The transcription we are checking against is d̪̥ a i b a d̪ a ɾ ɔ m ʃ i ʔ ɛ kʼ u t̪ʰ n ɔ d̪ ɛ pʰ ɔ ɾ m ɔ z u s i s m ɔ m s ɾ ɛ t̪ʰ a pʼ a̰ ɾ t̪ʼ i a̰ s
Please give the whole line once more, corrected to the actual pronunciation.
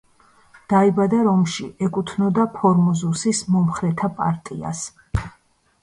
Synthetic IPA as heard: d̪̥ a i b a d̪ a ɾ ɔ m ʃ i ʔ ɛ kʼ u t̪ʰ n ɔ d̪ a pʰ ɔ ɾ m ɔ z u s i s m ɔ m χ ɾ ɛ t̪ʰ a pʼ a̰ ɾ t̪ʼ i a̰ s